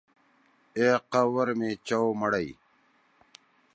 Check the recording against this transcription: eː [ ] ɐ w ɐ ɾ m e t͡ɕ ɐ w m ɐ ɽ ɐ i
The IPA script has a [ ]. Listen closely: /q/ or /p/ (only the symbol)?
q